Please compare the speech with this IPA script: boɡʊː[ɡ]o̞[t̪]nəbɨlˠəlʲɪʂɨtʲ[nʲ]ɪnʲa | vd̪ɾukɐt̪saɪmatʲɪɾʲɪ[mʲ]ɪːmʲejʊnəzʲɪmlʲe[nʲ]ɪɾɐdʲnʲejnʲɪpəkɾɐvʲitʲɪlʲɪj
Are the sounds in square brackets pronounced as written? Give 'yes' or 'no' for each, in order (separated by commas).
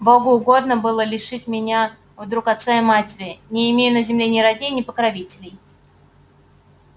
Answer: yes, no, no, no, yes